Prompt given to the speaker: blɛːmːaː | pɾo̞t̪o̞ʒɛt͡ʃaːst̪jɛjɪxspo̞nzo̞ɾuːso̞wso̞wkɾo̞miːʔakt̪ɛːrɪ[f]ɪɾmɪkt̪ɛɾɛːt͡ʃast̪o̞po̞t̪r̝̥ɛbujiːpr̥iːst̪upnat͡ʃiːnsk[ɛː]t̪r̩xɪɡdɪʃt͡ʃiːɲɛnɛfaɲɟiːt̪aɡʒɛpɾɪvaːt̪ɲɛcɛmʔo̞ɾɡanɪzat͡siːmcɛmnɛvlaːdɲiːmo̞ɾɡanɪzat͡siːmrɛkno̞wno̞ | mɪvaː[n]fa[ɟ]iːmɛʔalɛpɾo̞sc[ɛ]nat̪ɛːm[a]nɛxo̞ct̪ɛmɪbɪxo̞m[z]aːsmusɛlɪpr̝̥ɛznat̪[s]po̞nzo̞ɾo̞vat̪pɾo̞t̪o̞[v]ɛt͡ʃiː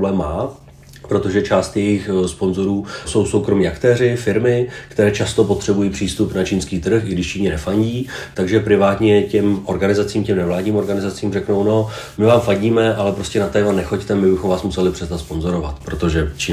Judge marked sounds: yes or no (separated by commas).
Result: yes, no, no, yes, yes, yes, no, yes, no